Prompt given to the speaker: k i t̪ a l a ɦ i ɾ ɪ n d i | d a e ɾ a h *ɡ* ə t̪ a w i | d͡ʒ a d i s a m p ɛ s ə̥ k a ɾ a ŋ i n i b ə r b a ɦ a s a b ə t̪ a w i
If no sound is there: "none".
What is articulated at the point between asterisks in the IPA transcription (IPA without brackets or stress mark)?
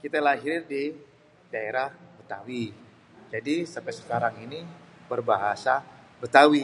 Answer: b